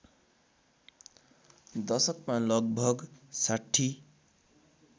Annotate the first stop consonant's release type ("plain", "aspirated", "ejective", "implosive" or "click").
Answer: plain